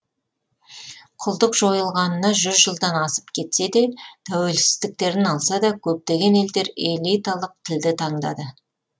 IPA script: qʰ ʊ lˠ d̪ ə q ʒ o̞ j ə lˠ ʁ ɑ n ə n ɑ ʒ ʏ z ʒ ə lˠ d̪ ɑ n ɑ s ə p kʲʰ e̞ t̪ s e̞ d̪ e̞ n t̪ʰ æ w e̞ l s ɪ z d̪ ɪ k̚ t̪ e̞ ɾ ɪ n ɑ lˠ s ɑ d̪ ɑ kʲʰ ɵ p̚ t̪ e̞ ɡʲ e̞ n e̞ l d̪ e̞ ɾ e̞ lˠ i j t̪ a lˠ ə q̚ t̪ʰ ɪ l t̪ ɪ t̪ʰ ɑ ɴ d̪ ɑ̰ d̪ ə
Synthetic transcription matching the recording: qʰ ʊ lˠ d̪ ə q ʒ o̞ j ə lˠ ʁ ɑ n ə n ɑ ʒ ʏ z ʒ ə lˠ d̪ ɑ n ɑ s ə p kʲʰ e̞ t̪ s e̞ d̪ e̞ t̪ʰ æ w e̞ l s ɪ z d̪ ɪ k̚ t̪ e̞ ɾ ɪ n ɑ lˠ s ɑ d̪ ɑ kʲʰ ɵ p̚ t̪ e̞ ɡʲ e̞ n e̞ l d̪ e̞ ɾ e̞ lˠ i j t̪ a lˠ ə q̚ t̪ʰ ɪ l d̪ ɪ t̪ʰ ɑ ɴ d̪ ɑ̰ d̪ ə